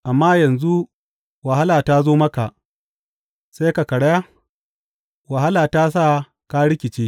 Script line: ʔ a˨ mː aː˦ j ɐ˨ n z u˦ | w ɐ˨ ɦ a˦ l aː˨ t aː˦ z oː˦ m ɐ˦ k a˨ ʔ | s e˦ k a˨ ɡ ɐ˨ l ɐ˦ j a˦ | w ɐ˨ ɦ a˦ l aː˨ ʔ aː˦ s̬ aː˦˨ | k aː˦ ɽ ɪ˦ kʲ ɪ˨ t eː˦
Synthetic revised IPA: ʔ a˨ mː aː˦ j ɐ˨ n z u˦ | w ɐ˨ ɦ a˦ l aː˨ t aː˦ z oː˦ m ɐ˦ k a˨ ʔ | s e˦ k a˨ k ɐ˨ ɽ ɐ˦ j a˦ | w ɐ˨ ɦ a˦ l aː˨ t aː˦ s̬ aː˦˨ | k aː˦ ɽ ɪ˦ kʲ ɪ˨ t͡ʃ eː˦